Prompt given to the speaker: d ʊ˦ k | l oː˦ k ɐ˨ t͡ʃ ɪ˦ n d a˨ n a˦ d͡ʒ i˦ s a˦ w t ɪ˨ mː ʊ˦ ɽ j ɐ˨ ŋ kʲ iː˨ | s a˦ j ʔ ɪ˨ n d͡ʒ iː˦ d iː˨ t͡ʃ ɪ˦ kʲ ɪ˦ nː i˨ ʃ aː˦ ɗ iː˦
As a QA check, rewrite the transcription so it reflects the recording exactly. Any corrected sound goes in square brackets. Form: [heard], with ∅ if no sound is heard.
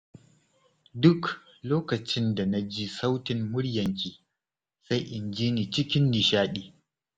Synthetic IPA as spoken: d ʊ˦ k | l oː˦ k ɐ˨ t͡ʃ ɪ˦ n d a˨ n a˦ d͡ʒ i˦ s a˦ w t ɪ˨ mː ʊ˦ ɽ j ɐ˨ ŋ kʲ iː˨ | s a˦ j ʔ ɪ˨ n d͡ʒ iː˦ [n] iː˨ t͡ʃ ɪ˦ kʲ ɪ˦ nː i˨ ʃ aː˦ ɗ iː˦